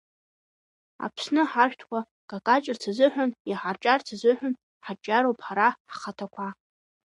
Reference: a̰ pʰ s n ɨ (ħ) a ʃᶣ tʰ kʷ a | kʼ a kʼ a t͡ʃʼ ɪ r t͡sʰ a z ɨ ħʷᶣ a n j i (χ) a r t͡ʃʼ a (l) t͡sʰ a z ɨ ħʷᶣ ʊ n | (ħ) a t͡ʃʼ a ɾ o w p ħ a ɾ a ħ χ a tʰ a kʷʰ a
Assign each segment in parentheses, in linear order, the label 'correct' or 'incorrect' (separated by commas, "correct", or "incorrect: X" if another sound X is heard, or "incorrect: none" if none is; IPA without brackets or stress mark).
correct, incorrect: ħ, incorrect: r, correct